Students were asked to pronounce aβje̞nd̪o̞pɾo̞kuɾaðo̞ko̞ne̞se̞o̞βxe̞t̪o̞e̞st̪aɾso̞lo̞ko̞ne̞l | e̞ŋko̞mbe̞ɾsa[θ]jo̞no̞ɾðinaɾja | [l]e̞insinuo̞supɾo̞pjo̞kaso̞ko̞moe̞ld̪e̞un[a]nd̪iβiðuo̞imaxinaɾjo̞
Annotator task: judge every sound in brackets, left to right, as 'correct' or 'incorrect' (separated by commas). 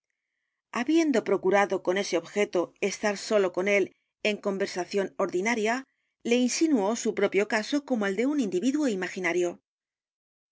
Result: correct, correct, incorrect